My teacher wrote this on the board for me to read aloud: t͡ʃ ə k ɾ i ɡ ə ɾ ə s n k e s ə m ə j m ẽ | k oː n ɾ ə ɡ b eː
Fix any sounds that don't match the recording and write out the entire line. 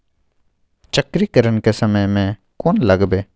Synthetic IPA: t͡ʃ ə k ɾ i k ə ɾ ə n k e s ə m ə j m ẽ | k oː n l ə ɡ b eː